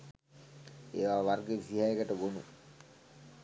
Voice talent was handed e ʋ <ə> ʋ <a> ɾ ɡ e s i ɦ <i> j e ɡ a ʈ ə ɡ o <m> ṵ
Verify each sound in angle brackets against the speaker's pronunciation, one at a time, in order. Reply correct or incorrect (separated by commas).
incorrect, correct, incorrect, incorrect